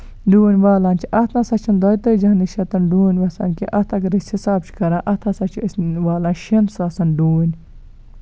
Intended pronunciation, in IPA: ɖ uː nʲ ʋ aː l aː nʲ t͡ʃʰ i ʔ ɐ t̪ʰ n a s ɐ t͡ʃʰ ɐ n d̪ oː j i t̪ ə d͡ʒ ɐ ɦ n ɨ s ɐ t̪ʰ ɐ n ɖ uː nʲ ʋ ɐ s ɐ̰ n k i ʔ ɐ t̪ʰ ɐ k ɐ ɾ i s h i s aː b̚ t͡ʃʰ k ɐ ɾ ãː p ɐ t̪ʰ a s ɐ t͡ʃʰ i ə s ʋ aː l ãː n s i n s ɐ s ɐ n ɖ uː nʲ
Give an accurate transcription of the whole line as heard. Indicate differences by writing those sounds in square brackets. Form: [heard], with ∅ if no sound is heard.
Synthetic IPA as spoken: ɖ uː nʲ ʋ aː l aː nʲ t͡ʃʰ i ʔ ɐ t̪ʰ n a s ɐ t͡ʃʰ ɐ n d̪ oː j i t̪ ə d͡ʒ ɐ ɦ n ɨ [ʃ] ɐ [t̪] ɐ n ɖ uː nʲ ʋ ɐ s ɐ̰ n k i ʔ ɐ t̪ʰ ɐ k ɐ ɾ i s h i s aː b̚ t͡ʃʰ k ɐ ɾ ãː [ʔ] ɐ t̪ʰ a s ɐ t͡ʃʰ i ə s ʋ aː l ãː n [ʃ] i n s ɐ s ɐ n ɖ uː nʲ